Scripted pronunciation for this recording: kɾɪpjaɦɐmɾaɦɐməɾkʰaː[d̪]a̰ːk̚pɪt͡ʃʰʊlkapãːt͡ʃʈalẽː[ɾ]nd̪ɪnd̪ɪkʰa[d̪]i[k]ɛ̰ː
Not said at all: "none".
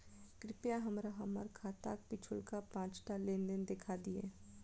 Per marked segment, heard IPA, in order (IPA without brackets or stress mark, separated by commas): t̪, none, d̪, none